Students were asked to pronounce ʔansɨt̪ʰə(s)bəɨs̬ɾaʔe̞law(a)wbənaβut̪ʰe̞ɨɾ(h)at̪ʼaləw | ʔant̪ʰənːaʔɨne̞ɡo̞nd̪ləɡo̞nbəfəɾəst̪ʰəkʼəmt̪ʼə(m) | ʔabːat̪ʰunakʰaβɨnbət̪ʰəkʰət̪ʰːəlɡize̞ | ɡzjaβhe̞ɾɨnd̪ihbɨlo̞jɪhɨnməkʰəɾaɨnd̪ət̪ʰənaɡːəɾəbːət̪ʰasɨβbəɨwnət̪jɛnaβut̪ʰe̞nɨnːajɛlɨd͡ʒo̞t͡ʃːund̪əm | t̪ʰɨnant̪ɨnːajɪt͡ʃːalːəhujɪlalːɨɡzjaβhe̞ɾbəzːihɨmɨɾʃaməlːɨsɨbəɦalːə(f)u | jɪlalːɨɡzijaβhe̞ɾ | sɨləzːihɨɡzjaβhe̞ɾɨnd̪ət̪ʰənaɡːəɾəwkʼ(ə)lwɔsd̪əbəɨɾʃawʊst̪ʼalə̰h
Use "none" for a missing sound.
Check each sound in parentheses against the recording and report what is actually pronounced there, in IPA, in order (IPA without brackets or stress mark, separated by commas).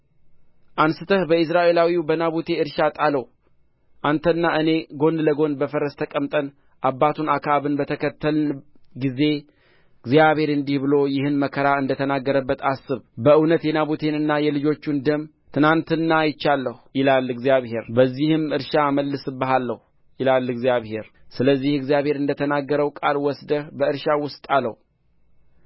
h, i, ʃ, n, h, a